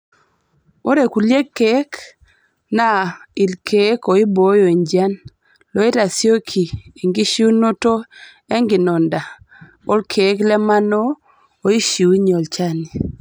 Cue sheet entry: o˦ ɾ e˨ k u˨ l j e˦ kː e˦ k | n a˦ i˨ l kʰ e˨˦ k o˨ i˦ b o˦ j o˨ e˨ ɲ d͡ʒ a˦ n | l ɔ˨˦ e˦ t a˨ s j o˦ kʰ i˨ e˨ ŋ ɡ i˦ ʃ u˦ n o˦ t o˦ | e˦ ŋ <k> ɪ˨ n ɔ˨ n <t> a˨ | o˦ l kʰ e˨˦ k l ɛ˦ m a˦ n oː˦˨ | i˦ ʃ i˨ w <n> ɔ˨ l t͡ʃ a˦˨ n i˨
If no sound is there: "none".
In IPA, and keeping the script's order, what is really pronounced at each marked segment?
ɡ, d, ɲ

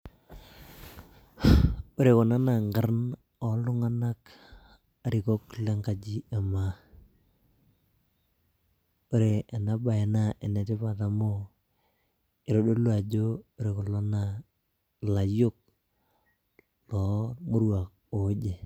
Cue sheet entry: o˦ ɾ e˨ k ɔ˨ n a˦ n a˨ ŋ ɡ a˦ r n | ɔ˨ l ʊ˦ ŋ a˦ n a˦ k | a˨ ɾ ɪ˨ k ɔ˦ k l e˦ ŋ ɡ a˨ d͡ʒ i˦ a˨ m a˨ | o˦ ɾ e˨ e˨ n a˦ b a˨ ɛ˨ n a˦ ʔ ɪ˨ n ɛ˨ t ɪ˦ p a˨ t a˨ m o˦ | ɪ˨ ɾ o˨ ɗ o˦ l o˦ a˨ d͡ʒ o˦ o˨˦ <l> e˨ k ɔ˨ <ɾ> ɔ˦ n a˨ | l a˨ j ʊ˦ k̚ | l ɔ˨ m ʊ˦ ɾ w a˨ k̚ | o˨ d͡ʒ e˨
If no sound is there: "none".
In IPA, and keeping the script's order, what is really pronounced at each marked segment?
ɾ, l

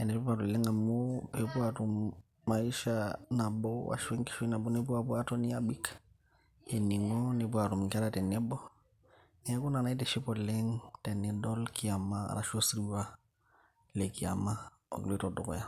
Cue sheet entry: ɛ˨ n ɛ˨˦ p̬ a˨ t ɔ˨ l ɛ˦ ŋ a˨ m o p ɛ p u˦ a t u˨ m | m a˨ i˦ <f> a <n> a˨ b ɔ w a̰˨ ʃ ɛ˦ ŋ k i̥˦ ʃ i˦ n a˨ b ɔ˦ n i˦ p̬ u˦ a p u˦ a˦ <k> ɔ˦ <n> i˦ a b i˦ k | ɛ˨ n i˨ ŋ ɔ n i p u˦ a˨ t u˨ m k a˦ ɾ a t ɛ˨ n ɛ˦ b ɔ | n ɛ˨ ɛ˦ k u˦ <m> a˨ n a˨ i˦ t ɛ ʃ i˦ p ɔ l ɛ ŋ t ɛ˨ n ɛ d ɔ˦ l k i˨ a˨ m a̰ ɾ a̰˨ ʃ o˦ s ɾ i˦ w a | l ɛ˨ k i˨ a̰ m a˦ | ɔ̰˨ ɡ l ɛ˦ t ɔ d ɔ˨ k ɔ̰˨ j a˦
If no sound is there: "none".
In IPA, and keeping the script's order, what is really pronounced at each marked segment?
ʃ, n, t, n, n

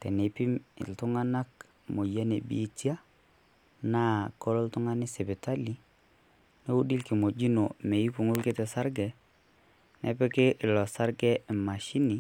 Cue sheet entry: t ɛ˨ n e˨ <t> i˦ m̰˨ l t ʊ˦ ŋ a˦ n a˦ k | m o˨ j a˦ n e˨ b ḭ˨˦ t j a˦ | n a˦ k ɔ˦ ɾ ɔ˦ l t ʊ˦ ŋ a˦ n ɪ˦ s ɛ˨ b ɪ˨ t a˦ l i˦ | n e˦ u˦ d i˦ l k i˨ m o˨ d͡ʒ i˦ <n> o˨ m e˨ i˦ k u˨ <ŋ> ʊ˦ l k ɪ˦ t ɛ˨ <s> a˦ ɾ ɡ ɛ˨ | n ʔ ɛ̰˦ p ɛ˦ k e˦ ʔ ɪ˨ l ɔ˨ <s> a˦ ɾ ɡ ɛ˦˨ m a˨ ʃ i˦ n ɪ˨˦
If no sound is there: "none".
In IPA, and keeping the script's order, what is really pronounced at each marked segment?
p, n, ŋ, s, s

